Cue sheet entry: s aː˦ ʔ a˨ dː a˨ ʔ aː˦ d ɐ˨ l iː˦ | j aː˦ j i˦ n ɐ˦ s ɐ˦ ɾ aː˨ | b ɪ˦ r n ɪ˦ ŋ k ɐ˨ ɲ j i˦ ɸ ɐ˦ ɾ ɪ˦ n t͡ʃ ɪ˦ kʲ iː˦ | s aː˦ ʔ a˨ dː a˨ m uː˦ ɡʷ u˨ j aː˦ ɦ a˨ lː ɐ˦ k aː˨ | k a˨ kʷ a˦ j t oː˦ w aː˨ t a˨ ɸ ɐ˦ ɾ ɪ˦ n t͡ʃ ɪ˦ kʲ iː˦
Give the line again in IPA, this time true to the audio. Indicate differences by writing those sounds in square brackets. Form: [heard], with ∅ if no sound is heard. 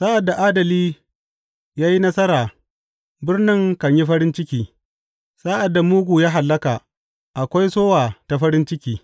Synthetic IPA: s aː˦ ʔ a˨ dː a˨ ʔ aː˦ d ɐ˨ l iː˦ | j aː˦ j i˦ n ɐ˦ s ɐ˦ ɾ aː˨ | b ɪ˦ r n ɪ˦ ŋ k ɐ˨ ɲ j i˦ ɸ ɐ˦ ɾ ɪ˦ n t͡ʃ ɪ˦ kʲ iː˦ | s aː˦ ʔ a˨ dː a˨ m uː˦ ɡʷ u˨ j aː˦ ɦ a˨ lː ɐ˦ k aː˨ | [ʔ] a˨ kʷ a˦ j [s] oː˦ w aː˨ t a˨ ɸ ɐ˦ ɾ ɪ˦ n t͡ʃ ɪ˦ kʲ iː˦